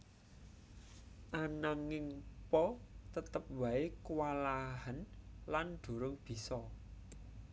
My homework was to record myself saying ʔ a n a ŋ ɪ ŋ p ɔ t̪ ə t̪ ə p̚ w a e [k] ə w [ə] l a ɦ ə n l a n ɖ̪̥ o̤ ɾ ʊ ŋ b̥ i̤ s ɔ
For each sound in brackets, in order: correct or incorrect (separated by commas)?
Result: correct, incorrect